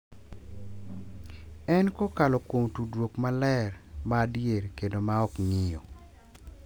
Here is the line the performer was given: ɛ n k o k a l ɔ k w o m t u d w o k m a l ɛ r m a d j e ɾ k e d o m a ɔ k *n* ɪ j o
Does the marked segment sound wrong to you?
yes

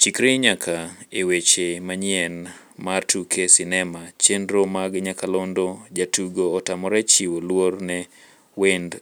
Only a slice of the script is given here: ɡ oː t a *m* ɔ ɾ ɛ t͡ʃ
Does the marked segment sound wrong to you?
no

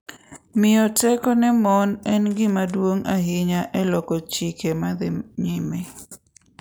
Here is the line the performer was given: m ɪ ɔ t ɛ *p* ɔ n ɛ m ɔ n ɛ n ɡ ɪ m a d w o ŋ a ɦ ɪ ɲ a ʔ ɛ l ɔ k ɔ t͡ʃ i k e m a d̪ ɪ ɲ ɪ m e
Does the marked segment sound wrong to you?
yes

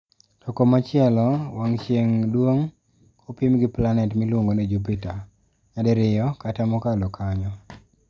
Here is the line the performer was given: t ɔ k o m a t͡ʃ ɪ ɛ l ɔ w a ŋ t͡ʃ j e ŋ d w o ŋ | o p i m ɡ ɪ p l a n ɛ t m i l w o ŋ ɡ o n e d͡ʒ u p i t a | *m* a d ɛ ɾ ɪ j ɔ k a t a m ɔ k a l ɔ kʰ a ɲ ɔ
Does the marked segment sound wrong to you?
yes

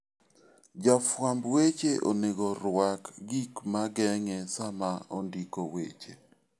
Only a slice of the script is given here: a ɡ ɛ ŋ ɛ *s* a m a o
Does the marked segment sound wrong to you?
no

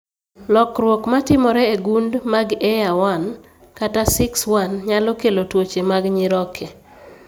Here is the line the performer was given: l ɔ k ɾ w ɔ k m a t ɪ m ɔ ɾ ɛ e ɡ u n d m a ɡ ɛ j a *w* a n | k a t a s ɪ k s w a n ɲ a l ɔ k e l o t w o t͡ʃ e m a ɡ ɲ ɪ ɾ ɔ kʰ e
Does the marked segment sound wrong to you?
no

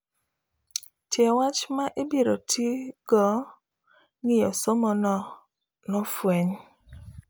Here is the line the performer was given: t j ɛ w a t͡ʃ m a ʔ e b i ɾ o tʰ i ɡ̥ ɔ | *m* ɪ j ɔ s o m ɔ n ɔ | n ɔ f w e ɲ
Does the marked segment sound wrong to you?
yes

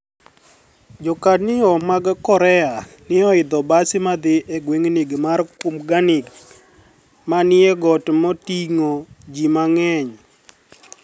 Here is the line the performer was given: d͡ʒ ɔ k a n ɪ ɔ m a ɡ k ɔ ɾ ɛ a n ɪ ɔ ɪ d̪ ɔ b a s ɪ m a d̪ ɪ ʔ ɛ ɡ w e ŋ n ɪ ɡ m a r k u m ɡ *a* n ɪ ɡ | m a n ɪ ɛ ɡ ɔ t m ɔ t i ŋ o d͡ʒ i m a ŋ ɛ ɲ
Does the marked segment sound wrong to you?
no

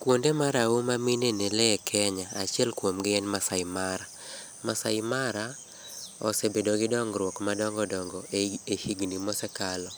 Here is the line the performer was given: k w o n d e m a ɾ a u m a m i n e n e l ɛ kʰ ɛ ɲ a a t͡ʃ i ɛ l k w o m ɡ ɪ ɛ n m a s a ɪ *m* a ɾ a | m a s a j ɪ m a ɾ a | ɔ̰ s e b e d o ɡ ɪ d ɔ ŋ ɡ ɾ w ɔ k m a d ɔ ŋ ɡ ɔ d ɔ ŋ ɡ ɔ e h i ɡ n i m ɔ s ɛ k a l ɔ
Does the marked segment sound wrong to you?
no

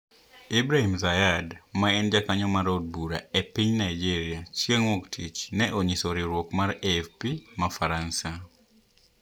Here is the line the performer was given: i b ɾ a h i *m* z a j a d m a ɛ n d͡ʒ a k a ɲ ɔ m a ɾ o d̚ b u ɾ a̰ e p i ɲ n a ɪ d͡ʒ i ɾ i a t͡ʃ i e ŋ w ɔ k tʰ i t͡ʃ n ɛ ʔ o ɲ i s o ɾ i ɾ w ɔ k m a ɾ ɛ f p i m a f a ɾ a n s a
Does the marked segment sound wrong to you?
no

